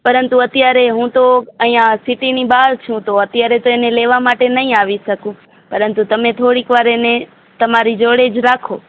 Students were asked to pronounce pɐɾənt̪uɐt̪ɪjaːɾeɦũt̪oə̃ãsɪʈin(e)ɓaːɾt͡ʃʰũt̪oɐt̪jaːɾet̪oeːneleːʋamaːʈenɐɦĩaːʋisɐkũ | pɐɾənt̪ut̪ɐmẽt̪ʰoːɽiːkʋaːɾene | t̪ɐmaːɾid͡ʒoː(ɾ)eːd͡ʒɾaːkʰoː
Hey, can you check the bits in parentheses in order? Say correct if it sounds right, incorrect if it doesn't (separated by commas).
incorrect, incorrect